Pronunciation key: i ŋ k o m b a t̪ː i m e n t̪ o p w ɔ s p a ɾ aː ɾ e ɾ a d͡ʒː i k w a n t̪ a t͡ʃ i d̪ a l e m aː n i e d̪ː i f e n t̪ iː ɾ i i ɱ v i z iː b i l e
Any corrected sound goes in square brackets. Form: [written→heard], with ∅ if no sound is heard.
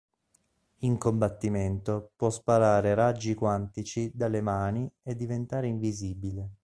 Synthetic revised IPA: i ŋ k o m b a t̪ː i m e n t̪ o p w ɔ s p a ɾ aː ɾ e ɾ a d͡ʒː i k w a n t̪ [a→i] t͡ʃ i d̪ a l e m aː n i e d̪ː i [f→v] e n t̪ [iː→aː] ɾ [i→e] i ɱ v i z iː b i l e